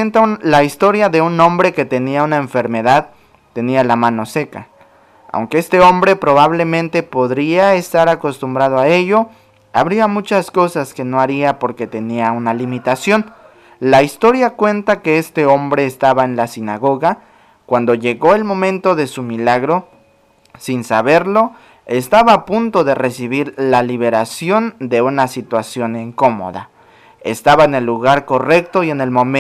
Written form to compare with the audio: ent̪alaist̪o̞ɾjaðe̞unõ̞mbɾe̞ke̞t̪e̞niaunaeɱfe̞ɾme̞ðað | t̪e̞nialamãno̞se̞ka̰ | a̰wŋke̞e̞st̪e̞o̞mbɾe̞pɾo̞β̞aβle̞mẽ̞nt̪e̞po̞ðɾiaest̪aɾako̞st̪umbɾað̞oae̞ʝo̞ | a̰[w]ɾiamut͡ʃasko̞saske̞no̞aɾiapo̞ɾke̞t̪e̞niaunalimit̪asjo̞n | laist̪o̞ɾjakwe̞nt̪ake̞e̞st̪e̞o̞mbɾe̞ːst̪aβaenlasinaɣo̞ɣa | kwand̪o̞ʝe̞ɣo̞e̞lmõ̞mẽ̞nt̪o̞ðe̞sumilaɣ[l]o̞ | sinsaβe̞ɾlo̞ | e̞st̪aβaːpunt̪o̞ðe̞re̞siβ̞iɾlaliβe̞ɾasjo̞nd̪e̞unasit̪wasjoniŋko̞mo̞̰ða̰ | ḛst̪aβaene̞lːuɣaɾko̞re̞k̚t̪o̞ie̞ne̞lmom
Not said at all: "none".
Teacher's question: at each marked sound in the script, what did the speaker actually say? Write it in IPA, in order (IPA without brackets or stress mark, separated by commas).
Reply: β, ɾ